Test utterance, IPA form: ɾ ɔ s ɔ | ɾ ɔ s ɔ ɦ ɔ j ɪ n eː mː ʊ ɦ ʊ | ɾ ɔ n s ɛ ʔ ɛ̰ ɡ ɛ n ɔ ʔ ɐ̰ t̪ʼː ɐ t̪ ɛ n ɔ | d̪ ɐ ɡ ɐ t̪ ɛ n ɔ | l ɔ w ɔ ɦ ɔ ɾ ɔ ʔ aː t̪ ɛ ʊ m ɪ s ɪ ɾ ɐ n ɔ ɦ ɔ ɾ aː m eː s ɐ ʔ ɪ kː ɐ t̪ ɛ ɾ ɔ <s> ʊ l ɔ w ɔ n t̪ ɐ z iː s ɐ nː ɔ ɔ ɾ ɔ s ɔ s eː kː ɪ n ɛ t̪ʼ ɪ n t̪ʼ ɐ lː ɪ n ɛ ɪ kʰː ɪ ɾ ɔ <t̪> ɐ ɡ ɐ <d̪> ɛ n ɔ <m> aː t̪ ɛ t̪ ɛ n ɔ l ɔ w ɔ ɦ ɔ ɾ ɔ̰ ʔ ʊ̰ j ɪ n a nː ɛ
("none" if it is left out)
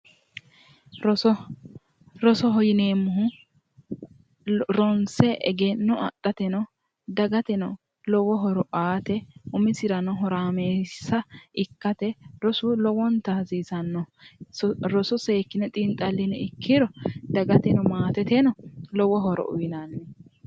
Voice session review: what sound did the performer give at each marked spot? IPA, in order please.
s, d̪, t̪, m

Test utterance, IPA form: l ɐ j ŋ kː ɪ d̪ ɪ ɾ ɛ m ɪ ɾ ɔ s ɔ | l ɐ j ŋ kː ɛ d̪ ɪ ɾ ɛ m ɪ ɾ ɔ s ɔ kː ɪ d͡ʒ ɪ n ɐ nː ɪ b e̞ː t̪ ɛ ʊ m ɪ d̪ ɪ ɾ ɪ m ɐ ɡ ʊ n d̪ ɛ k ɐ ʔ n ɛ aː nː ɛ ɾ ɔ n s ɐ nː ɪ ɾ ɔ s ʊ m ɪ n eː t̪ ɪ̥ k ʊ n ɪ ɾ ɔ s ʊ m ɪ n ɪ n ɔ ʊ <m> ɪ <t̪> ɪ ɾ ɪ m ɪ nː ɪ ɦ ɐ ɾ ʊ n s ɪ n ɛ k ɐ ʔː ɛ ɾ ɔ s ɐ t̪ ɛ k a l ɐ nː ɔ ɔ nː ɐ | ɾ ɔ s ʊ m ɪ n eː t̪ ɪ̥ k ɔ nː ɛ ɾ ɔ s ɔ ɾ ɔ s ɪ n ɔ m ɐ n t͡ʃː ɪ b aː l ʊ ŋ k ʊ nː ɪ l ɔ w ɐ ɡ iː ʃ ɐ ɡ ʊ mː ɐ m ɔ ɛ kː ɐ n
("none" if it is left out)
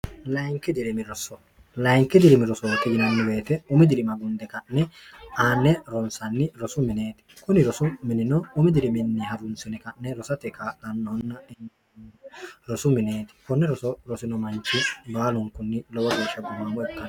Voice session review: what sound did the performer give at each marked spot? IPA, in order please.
m, d̪

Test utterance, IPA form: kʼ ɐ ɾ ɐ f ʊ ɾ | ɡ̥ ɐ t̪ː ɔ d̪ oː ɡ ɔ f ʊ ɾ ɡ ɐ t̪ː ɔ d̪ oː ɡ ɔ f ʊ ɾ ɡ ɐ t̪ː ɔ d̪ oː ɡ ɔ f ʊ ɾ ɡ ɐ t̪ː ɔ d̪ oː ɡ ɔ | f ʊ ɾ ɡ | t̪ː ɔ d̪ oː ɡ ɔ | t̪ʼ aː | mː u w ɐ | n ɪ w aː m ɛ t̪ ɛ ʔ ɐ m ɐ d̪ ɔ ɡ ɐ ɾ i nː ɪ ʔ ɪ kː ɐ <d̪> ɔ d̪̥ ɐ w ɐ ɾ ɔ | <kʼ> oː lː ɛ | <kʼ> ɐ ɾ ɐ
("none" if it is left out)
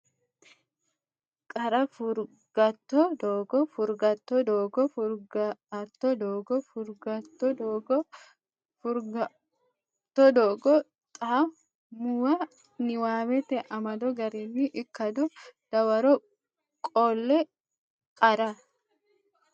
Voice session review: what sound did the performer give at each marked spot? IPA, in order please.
d̪, kʼ, kʼ

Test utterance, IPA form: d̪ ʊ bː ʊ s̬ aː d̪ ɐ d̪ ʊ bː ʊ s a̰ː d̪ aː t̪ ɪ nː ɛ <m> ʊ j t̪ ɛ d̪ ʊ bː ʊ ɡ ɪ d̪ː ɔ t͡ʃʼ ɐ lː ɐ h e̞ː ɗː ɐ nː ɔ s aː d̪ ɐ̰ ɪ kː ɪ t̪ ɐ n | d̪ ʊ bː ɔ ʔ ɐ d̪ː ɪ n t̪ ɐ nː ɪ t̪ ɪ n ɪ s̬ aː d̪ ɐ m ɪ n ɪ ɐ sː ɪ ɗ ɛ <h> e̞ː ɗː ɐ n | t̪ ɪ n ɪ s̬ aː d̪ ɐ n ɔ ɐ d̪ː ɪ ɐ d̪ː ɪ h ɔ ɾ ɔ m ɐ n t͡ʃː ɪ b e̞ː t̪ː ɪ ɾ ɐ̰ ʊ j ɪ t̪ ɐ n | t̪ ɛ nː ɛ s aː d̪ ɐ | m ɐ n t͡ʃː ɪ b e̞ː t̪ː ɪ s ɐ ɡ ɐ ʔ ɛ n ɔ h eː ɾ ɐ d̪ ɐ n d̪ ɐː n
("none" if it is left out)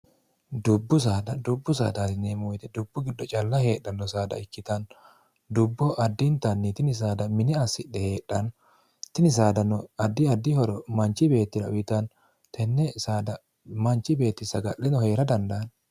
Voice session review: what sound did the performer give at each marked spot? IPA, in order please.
m, h

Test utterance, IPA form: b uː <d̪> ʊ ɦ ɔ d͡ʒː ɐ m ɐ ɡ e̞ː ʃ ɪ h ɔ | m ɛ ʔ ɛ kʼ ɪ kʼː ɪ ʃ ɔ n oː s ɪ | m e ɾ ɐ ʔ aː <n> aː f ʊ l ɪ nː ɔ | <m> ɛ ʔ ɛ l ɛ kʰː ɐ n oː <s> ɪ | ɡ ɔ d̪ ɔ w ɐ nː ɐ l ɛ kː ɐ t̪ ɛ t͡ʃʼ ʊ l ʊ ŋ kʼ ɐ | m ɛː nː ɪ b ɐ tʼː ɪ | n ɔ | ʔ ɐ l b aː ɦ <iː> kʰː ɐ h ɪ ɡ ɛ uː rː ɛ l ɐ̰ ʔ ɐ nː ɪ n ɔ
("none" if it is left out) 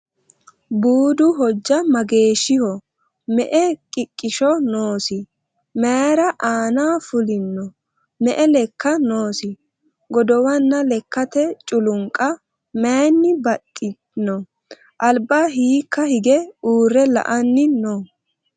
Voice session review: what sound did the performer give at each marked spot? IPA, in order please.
d̪, n, m, s, iː

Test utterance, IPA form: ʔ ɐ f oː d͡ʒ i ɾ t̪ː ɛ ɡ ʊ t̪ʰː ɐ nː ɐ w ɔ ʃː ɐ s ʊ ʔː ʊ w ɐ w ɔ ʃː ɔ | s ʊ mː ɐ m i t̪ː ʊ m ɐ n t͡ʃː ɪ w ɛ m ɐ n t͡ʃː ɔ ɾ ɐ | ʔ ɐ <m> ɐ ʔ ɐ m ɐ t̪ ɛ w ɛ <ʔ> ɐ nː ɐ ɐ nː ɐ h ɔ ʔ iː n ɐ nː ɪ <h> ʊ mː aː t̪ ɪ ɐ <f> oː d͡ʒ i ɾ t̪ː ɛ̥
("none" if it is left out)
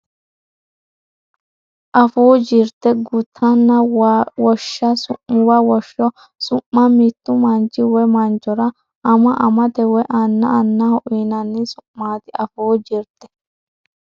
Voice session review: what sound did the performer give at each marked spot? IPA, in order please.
m, ʔ, s, f

